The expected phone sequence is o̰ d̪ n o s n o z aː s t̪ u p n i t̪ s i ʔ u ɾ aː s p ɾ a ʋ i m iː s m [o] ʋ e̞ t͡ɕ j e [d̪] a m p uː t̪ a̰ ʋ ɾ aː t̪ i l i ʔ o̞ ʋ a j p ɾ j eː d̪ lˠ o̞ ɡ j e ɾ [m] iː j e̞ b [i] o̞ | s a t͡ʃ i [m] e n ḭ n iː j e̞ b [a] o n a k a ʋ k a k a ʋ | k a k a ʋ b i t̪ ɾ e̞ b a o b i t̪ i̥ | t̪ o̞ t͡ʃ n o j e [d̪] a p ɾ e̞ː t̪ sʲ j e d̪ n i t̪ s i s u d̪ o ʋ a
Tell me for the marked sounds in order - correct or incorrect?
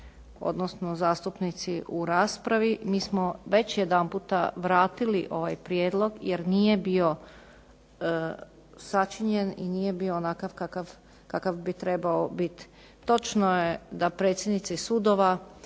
correct, correct, incorrect: n, correct, incorrect: ɲ, incorrect: i, correct

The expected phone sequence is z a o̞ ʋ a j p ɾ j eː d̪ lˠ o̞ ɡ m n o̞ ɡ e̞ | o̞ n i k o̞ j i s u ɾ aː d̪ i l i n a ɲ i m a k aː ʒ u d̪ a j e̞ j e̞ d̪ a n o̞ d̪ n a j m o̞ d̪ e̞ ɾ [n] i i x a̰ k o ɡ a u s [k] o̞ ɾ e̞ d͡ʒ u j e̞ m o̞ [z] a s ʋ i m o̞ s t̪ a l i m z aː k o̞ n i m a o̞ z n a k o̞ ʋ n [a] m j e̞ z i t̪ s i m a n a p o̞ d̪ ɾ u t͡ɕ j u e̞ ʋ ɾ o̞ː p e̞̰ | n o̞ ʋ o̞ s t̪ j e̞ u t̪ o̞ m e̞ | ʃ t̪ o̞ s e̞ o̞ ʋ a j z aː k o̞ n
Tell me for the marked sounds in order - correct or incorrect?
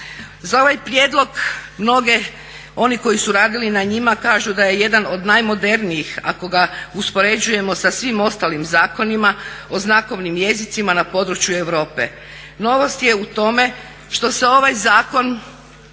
correct, incorrect: p, incorrect: s, incorrect: i

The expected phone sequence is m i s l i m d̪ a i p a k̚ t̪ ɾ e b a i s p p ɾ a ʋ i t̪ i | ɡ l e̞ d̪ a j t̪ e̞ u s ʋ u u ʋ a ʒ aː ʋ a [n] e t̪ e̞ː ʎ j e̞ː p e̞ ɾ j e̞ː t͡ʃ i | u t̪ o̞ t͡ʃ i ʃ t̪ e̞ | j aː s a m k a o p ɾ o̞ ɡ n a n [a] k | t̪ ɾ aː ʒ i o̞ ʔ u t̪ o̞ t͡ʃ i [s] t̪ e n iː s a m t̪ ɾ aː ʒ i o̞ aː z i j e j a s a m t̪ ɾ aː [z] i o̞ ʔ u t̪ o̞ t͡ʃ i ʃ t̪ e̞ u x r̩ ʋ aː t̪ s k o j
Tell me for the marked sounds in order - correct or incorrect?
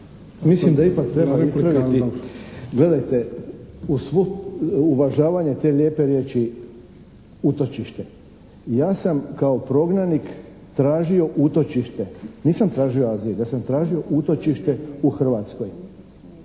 incorrect: ɲ, incorrect: i, incorrect: ʃ, incorrect: ʒ

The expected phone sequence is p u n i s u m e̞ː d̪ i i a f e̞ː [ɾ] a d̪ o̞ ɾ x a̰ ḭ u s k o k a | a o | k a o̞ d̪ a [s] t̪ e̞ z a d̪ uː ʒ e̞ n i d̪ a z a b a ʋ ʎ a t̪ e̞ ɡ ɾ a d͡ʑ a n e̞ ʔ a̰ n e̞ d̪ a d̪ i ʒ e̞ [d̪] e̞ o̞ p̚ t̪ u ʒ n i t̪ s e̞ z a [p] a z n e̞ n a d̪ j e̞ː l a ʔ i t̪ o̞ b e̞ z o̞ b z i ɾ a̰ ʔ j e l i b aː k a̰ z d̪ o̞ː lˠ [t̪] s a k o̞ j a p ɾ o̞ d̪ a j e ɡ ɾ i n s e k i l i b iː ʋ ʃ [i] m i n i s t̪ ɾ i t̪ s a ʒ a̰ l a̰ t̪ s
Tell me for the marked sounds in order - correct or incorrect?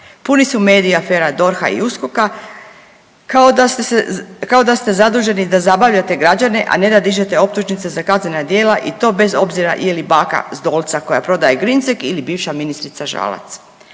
correct, correct, incorrect: t̪, incorrect: k, correct, incorrect: a

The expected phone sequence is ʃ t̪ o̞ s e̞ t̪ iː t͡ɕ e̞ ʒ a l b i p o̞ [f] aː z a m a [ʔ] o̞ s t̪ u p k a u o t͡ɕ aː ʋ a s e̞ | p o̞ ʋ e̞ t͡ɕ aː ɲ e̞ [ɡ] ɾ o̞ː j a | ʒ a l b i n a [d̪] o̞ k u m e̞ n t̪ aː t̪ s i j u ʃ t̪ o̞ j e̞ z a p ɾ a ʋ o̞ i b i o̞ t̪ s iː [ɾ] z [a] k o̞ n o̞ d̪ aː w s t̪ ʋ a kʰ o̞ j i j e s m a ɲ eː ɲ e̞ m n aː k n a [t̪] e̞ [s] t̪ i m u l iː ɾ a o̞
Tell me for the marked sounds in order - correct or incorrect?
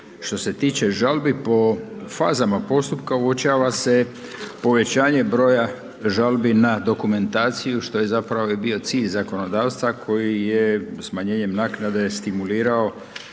correct, incorrect: p, incorrect: b, correct, incorrect: ʎ, correct, incorrect: d̪, correct

